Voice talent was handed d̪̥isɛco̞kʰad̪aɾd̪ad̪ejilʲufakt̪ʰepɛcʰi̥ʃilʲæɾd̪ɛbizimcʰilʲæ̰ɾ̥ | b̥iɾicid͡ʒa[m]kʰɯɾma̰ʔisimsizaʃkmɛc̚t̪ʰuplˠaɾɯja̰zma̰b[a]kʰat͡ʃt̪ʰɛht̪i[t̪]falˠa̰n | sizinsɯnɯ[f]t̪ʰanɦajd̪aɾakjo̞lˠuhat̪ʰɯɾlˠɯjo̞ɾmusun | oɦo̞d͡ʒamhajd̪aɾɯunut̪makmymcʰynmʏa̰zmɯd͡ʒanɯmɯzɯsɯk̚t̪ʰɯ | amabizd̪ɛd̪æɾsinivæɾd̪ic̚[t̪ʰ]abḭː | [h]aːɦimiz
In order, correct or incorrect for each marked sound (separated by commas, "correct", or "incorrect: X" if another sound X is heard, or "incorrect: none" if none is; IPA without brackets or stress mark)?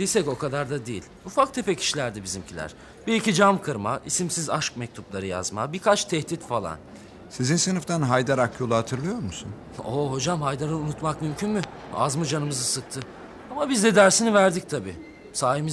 correct, incorrect: i, correct, correct, correct, incorrect: s